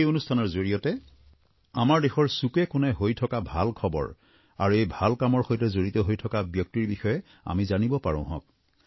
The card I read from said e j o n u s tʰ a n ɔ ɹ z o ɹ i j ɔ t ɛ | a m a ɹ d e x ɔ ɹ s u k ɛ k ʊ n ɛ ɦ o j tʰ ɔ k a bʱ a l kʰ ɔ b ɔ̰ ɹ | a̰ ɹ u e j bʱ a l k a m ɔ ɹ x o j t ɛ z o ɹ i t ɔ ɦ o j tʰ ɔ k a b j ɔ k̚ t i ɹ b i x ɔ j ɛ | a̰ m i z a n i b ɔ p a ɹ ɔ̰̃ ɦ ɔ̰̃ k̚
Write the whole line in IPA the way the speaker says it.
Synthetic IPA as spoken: e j o n u s tʰ a n ɔ ɹ z o ɹ i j ɔ t ɛ | a m a ɹ d e x ɔ ɹ s u k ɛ k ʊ n ɛ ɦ o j tʰ ɔ k a bʱ a l kʰ ɔ b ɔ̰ ɹ | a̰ ɹ u e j bʱ a l k a m ɔ ɹ x o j t ɛ z o ɹ i t ɔ ɦ o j tʰ ɔ k a b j ɔ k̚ t i ɹ b i x ɔ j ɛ | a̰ m i z a n i b ɔ p a ɹ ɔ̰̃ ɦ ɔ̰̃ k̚